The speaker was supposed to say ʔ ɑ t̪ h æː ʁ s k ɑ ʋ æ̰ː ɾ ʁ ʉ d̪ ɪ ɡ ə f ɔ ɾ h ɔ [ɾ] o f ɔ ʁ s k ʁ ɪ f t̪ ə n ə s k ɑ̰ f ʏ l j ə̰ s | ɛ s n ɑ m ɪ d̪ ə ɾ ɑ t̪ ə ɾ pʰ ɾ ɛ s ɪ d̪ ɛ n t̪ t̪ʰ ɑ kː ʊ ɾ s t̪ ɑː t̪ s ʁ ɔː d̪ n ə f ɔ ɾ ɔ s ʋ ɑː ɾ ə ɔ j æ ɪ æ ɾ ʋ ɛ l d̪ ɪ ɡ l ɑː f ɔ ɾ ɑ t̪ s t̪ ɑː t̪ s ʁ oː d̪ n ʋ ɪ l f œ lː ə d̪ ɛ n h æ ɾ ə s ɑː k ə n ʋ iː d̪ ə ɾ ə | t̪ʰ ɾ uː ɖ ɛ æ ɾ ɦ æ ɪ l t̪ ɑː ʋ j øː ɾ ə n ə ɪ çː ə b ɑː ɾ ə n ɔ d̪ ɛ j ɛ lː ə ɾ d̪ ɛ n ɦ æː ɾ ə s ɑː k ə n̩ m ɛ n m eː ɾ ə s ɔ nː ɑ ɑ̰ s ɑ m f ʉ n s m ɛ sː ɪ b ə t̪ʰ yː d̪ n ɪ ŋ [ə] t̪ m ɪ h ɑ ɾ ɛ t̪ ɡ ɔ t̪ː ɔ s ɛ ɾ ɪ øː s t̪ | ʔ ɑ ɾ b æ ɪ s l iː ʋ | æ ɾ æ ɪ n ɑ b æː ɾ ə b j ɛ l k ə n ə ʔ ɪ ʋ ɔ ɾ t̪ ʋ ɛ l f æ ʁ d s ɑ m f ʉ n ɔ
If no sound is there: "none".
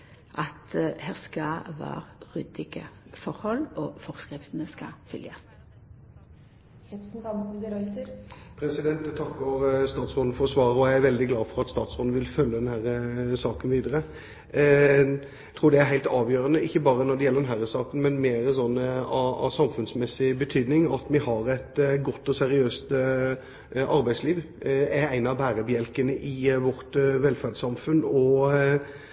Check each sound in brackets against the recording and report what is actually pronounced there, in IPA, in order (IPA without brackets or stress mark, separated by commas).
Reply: l, ɑ